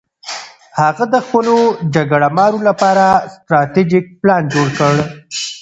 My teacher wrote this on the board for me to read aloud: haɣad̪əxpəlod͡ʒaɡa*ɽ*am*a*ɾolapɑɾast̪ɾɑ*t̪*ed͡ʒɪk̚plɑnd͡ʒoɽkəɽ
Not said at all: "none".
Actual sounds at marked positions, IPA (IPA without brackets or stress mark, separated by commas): ɽ, ɑ, t̪